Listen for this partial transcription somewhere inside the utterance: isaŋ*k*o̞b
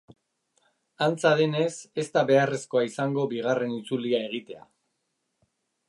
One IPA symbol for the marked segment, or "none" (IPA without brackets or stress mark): ɡ